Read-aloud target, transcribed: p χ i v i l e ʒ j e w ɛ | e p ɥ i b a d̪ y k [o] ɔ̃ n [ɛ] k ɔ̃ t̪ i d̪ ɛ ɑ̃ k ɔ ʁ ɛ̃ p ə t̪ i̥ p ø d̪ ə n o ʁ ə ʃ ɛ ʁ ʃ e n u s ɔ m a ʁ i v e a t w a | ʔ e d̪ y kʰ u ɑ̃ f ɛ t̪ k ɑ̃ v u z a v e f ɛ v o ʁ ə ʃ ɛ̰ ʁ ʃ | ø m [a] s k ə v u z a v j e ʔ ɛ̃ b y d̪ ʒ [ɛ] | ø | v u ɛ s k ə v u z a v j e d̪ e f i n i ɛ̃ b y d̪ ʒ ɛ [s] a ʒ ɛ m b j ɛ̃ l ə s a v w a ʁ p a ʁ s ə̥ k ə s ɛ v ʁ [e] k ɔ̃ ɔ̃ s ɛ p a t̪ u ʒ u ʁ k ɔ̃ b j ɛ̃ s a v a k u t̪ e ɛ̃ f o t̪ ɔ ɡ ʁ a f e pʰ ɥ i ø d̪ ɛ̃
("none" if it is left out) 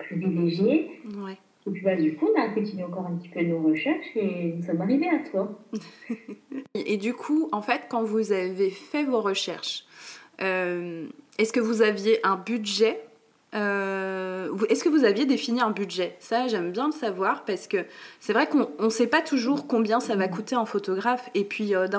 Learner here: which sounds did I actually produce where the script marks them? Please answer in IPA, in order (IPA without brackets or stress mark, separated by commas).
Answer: u, a, ɛ, ɛ, s, ɛ